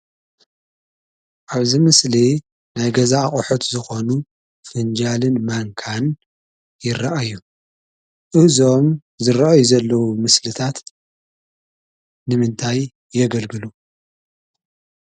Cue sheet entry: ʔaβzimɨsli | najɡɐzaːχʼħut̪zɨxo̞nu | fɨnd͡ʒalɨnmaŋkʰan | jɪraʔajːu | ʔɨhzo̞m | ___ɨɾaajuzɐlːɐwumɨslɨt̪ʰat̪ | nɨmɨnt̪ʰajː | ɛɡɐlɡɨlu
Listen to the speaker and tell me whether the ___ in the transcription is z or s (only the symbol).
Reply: z